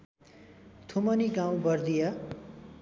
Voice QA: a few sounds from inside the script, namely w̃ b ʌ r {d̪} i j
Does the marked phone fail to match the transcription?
no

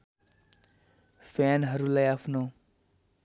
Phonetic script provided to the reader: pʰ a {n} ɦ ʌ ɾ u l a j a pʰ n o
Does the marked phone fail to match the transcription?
no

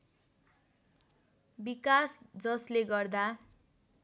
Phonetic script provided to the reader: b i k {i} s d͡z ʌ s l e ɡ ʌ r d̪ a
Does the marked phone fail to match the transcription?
yes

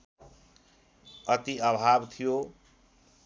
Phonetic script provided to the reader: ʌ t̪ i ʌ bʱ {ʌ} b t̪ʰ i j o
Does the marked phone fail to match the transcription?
yes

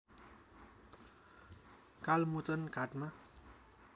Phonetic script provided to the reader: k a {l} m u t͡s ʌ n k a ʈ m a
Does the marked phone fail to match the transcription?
no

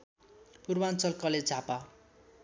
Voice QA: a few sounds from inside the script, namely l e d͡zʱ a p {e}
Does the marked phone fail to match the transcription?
yes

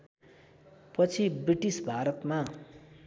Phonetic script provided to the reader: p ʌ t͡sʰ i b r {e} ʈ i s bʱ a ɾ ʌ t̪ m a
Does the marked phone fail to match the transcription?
yes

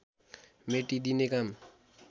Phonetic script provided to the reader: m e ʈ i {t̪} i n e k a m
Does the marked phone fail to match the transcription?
yes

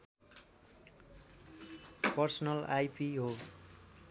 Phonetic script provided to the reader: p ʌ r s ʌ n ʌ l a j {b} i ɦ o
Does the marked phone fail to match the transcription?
yes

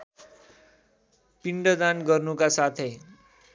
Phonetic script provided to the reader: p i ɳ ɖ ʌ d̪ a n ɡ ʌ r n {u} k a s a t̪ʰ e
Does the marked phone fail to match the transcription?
no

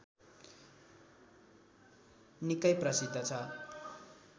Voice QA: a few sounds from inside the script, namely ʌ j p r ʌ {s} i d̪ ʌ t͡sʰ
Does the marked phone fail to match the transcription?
no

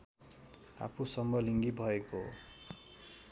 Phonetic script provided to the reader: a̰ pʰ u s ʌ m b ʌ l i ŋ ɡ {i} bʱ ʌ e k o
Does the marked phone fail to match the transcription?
no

